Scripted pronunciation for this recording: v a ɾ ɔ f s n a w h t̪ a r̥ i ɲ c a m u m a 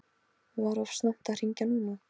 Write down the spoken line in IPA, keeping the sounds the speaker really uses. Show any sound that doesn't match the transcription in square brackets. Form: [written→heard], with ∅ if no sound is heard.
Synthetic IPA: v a ɾ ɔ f s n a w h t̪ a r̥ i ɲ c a [m→n] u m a